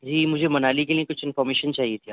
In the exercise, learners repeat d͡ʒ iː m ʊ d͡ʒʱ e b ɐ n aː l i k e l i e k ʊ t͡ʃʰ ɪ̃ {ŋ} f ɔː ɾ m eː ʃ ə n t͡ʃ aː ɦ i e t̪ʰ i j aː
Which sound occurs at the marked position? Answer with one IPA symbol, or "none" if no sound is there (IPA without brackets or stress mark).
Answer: n